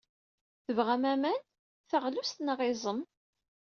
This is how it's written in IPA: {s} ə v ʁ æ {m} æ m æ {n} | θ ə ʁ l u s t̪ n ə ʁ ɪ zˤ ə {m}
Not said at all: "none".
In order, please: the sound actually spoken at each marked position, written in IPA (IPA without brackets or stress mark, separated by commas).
θ, m, n, m